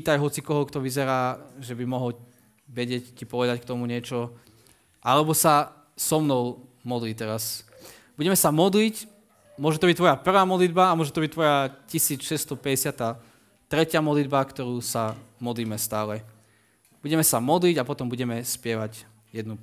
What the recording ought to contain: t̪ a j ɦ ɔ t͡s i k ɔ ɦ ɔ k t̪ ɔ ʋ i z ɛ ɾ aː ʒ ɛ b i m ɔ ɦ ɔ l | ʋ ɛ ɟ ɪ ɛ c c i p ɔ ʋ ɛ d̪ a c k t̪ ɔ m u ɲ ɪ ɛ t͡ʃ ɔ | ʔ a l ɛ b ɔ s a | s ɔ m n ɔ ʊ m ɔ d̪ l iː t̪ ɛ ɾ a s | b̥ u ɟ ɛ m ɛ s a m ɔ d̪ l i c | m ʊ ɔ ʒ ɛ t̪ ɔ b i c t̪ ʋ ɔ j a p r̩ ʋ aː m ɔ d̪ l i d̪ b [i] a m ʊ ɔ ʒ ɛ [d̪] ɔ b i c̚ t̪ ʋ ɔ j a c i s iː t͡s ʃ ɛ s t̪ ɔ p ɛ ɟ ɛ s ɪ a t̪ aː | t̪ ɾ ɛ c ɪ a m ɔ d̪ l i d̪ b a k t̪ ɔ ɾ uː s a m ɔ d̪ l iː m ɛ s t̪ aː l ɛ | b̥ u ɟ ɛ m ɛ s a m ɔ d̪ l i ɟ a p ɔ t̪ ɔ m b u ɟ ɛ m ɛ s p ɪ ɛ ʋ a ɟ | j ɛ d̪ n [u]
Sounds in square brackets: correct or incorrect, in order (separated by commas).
incorrect, incorrect, correct